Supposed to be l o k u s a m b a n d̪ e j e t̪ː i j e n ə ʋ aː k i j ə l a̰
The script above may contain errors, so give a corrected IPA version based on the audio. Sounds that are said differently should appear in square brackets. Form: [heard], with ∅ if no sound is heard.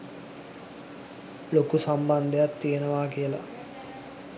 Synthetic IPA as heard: l o k u s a m b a n d̪ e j [a] t̪ː i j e n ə ʋ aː k i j ə l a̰